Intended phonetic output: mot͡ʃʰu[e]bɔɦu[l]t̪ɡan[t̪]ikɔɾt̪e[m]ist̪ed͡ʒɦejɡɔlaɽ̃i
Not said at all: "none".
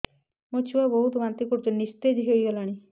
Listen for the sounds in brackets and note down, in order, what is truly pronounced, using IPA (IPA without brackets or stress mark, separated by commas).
a, none, t̪, n